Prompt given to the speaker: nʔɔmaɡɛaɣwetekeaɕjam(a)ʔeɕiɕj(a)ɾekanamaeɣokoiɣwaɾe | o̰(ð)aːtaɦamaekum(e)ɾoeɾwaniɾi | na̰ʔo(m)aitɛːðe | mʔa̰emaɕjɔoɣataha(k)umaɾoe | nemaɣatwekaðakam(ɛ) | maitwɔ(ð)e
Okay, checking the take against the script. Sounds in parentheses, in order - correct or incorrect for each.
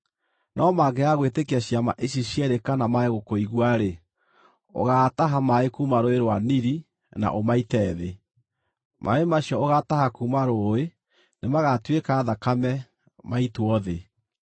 correct, incorrect, incorrect, incorrect, correct, correct, correct, correct

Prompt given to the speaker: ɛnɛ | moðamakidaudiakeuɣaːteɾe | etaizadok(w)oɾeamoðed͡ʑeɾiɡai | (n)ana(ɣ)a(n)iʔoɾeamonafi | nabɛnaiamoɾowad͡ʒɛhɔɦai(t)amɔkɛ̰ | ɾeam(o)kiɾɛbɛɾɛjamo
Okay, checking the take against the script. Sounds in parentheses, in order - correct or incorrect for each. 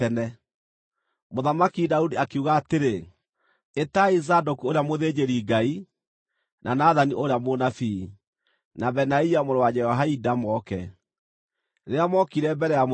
incorrect, correct, incorrect, correct, incorrect, incorrect

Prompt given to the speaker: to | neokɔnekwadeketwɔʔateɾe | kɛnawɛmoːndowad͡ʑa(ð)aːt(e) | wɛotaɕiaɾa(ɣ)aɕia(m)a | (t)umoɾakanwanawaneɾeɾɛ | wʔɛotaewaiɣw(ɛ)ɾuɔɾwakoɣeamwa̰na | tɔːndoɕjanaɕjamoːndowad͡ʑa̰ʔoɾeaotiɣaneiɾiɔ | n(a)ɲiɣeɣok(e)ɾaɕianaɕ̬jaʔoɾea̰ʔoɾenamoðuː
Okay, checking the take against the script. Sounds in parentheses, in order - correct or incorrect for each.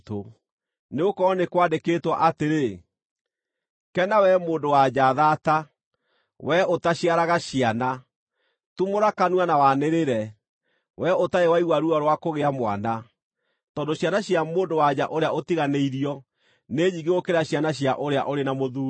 correct, incorrect, correct, incorrect, correct, incorrect, incorrect, correct

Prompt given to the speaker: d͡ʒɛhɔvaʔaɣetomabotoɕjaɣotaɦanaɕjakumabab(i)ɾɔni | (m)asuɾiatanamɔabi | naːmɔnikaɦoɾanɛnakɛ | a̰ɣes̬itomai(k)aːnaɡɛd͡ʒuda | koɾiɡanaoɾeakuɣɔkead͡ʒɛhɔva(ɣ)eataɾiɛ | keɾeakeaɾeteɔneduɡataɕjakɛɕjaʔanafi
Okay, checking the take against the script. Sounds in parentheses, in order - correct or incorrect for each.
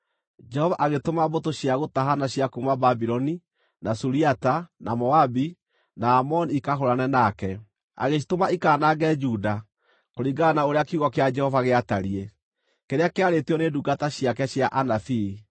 correct, incorrect, correct, correct

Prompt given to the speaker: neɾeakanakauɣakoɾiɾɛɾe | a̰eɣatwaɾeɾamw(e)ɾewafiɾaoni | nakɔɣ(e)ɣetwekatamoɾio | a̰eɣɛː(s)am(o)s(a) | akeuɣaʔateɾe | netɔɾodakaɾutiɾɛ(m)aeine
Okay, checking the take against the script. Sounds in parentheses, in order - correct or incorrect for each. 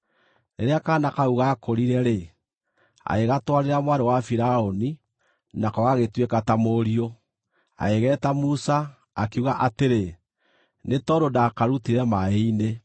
incorrect, incorrect, incorrect, incorrect, correct, correct

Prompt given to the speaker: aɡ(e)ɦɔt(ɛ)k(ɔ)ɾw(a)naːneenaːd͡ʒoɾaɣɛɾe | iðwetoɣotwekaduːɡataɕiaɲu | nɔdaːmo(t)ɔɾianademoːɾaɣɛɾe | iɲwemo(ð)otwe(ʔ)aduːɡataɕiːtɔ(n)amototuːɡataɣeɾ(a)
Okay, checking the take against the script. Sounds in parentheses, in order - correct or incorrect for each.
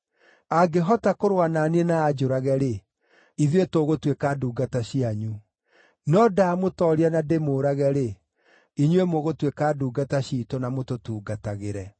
correct, incorrect, incorrect, correct, correct, incorrect, incorrect, correct, incorrect

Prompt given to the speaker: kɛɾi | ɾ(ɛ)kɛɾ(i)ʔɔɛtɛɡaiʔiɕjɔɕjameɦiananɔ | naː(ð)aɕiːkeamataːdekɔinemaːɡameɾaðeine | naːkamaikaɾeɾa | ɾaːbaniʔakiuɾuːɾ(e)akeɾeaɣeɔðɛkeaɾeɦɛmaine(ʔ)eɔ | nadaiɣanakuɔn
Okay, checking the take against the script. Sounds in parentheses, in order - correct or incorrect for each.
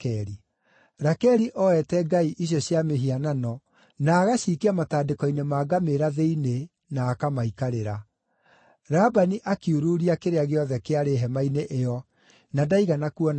incorrect, correct, incorrect, incorrect, correct

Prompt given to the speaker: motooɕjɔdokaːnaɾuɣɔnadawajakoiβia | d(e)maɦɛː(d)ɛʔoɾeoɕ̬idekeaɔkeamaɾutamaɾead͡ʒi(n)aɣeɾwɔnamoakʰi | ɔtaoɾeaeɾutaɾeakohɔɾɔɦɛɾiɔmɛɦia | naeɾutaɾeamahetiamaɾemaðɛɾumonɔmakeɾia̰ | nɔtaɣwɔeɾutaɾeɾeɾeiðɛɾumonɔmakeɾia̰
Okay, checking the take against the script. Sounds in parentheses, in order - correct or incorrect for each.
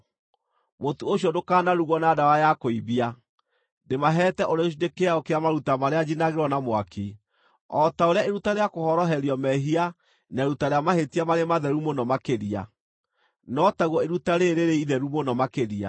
correct, incorrect, correct

